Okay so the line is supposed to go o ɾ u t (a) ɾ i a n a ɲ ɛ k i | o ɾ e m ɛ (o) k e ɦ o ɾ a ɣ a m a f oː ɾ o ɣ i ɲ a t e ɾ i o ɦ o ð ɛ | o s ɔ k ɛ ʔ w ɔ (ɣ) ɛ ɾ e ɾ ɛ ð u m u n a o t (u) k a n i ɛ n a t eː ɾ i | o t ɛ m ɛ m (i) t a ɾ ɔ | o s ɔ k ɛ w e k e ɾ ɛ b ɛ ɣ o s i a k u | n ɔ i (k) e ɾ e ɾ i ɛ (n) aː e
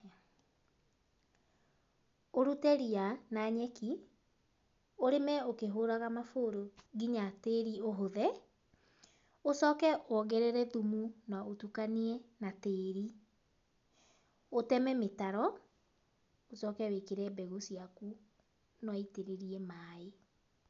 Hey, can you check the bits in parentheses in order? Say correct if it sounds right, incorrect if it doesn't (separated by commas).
incorrect, correct, correct, correct, incorrect, incorrect, incorrect